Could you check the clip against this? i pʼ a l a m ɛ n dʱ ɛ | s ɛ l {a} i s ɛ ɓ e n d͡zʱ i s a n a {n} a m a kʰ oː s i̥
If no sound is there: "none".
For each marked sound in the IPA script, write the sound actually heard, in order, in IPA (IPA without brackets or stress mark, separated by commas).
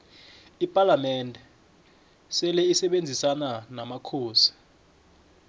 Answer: ɛ, n